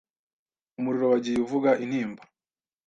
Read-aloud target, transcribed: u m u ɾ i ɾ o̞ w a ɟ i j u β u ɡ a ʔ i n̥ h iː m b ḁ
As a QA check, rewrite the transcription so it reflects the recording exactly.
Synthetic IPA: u m u ɾ i ɾ o̞ w a ɟ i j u v u ɡ a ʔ i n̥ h iː m b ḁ